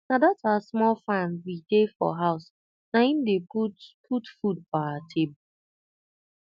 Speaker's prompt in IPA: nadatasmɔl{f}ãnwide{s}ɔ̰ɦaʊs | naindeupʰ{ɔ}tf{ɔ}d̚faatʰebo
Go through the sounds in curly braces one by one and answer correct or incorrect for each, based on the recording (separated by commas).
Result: correct, incorrect, incorrect, incorrect